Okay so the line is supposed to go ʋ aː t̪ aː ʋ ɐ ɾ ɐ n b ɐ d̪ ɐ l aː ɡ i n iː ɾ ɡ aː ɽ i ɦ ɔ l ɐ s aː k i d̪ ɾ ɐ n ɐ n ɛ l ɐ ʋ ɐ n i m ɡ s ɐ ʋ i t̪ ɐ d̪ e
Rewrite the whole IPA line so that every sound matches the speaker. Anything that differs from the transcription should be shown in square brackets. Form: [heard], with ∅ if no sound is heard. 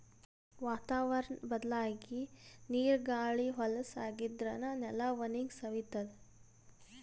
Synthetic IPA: ʋ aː t̪ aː ʋ ɐ ɾ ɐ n b ɐ d̪ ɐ l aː ɡ i n iː ɾ ɡ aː [ɭ] i ɦ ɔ l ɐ s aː [ɡ] i d̪ ɾ ɐ n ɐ n ɛ l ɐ ʋ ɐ n i [ŋ] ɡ s ɐ ʋ i t̪ ɐ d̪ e